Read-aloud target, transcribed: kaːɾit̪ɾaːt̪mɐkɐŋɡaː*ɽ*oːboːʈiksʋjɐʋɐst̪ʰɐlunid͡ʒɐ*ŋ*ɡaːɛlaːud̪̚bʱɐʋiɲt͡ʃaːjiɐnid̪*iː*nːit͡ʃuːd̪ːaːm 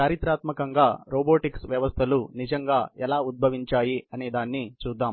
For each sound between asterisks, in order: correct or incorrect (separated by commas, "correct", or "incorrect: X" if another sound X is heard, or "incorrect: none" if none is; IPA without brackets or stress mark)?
incorrect: ɾ, correct, incorrect: aː